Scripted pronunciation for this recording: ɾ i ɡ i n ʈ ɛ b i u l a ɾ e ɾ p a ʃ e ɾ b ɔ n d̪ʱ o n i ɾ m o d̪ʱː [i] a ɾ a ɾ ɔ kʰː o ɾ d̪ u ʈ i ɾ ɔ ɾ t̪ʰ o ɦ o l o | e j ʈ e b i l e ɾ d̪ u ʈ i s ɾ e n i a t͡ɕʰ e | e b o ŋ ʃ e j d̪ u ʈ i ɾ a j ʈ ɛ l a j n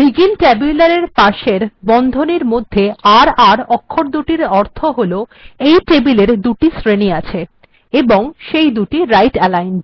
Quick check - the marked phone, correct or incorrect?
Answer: incorrect